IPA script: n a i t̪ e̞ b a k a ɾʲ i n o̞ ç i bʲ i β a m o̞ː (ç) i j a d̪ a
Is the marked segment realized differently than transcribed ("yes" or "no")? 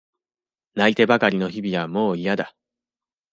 yes